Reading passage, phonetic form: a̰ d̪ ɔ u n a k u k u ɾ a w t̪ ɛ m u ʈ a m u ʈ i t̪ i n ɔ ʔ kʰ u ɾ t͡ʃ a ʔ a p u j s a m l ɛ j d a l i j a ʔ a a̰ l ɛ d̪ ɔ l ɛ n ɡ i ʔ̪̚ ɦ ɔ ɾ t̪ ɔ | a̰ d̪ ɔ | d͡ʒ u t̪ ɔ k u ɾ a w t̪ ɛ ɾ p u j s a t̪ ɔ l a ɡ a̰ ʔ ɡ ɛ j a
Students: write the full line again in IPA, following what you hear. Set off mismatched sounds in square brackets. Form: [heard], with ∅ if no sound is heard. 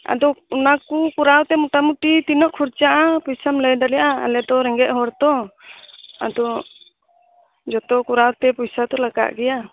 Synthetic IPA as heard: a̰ d̪ ɔ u n a k u k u ɾ a w t̪ ɛ m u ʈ a m u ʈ i t̪ i n ɔ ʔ kʰ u ɾ t͡ʃ a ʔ a p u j s a m l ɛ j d a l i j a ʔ a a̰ l ɛ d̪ ɔ [ɾ] ɛ [ŋ] ɡ [ɛ] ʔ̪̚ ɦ ɔ ɾ t̪ ɔ | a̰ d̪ ɔ | d͡ʒ [ɔ] t̪ ɔ k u ɾ a w t̪ ɛ [∅] p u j s a t̪ ɔ l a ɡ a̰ ʔ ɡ ɛ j a